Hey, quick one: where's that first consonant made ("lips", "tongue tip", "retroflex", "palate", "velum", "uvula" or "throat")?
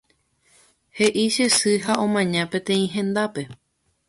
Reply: throat